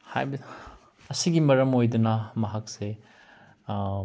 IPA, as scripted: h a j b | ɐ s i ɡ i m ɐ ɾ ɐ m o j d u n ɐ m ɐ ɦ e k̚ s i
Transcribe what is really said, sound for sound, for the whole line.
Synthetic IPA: h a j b | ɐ s i ɡ i m ɐ ɾ ɐ m o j d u n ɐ m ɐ ɦ a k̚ s e

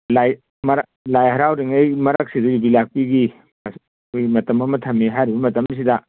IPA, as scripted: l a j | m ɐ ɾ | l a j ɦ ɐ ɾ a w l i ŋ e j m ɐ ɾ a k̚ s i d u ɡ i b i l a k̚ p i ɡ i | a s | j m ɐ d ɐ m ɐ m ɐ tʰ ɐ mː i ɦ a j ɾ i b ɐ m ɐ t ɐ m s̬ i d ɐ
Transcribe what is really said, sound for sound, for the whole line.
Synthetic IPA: l a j | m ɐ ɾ | l a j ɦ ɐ ɾ a w ɾ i ŋ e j m ɐ ɾ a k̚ s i d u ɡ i b i l a k̚ p i ɡ i | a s | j m ɐ t ɐ m ɐ m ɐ tʰ ɐ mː i ɦ a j ɾ i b ɐ m ɐ t ɐ m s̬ i d ɐ

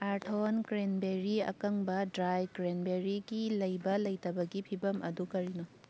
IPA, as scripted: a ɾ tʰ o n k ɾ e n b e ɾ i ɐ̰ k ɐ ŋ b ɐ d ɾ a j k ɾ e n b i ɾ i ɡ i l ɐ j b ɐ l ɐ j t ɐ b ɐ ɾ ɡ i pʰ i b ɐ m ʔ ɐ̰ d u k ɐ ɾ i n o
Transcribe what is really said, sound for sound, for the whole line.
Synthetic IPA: a ɾ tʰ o n k ɾ e n b e ɾ i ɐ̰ k ɐ ŋ b ɐ d ɾ a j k ɾ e n b e ɾ i ɡ i l ɐ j b ɐ l ɐ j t ɐ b ɐ ɡ i pʰ i b ɐ m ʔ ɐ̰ d u k ɐ ɾ i n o

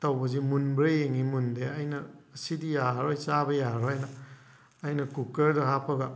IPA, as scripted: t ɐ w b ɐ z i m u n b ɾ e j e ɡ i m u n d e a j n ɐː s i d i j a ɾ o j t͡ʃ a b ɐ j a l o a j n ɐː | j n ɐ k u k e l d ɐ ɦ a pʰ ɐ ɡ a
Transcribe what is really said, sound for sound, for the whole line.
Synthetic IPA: t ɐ w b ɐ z i m u n b ɾ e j e ŋ i m u n d e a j n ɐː s i d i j a ɾ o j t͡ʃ a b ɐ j a ɾ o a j n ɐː | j n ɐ k u k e ɾ d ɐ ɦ a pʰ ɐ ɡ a

